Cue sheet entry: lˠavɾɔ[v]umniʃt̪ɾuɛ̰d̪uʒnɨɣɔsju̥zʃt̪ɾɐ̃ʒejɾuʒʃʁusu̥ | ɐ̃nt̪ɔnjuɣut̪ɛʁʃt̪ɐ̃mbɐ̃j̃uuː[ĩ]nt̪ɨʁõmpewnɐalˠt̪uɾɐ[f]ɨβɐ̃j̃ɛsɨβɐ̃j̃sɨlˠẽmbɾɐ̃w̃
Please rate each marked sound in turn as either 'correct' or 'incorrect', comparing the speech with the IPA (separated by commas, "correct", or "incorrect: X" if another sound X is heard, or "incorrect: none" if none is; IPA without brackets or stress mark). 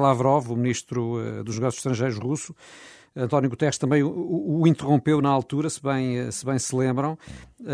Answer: correct, correct, incorrect: s